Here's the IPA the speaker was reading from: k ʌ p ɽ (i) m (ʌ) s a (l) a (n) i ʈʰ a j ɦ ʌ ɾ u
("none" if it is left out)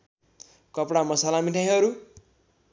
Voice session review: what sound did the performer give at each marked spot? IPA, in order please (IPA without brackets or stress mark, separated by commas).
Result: a, ʌ, l, m